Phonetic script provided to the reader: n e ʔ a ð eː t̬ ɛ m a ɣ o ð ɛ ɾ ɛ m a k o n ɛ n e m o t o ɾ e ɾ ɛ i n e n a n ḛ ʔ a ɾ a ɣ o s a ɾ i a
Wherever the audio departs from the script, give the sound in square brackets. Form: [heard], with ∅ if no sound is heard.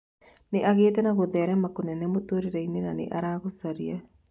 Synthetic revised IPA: n e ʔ a [ɣ] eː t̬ ɛ [n] a ɣ o ð ɛ ɾ ɛ m a k o n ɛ n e m o t o ɾ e ɾ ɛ i n e n a n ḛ ʔ a ɾ a ɣ o s a ɾ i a